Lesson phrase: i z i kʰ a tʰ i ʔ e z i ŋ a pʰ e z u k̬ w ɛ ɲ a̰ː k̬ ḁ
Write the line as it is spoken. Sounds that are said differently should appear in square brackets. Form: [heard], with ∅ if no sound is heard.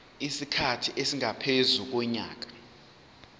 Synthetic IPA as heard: i [s] i kʰ a tʰ i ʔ e [s] i ŋ a pʰ e z u k̬ w ɛ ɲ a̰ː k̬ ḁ